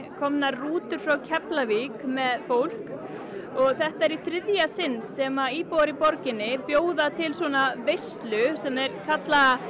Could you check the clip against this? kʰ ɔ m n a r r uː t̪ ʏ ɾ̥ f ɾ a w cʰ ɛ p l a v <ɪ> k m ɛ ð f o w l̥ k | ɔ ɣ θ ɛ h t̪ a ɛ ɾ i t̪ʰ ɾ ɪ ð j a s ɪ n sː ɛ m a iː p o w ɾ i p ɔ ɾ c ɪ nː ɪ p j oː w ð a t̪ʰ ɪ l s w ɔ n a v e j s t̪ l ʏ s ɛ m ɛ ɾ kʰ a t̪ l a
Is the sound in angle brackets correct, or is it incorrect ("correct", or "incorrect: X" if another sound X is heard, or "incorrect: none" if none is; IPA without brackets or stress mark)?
incorrect: i